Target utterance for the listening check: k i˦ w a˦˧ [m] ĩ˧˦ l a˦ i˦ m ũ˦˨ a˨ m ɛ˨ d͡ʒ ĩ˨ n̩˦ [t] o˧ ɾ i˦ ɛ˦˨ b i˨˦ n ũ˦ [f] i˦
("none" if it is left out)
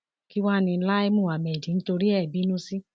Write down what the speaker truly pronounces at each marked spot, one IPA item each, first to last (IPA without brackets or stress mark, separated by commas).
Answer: n, t, s